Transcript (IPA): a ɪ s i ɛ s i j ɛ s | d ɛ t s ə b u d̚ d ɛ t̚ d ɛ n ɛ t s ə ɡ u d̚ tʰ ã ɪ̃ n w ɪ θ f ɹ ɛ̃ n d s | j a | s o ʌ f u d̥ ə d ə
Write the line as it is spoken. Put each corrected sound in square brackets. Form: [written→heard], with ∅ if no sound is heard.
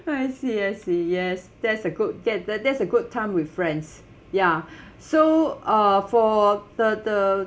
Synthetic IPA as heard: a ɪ s i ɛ s i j ɛ s | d ɛ t s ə [b→ɡ] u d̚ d ɛ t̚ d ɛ [n→d] ɛ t s ə ɡ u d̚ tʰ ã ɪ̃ [n→m] w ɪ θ f ɹ ɛ̃ n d s | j a | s o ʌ f [u→ɔ] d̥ ə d ə